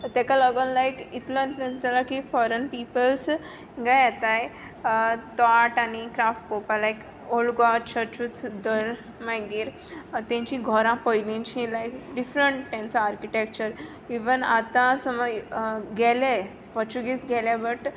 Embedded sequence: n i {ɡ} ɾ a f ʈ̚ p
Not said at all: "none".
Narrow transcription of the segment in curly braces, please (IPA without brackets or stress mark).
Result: k